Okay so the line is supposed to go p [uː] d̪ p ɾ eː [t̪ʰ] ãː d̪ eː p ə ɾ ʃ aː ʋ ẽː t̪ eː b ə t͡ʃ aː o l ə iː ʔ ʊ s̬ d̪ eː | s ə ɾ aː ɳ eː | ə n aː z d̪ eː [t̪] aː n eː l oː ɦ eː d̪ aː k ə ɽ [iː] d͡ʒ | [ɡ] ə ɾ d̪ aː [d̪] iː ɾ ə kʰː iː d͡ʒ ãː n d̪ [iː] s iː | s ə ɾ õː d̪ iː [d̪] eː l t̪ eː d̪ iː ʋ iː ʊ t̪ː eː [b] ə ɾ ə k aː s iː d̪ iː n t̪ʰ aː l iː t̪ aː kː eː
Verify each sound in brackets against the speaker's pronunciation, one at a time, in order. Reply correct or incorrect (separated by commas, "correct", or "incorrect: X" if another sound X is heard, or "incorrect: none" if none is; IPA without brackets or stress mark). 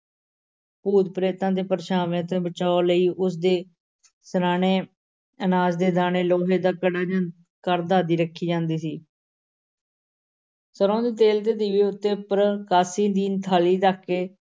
correct, incorrect: t̪, incorrect: d̪, incorrect: aː, incorrect: k, correct, correct, incorrect: t̪, incorrect: p